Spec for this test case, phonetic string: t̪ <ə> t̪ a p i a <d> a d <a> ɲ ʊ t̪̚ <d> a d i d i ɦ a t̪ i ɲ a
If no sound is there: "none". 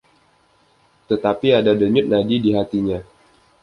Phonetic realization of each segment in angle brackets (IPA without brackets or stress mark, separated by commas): ə, d, ə, n